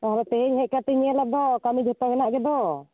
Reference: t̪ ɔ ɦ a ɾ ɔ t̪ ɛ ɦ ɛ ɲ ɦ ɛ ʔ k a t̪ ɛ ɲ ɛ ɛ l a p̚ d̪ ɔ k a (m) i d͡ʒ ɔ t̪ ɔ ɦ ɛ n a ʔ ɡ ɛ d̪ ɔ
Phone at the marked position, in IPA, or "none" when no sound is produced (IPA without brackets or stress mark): m